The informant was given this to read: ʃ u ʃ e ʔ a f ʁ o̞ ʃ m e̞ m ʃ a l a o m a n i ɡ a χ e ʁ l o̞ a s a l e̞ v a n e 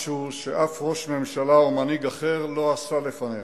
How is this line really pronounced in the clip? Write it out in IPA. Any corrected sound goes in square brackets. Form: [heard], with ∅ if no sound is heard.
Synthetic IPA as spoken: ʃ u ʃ e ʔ a f ʁ o̞ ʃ m e̞ m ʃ a l a o m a n i ɡ a χ e ʁ l o̞ a s a l e̞ [f] a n e